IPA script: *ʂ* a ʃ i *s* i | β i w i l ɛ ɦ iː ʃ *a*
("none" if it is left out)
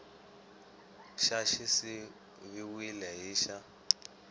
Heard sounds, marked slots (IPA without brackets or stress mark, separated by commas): ʃ, s, a